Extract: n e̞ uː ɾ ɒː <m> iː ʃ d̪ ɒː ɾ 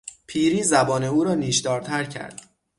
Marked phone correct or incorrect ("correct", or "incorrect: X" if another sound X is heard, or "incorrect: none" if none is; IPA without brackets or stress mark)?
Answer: incorrect: n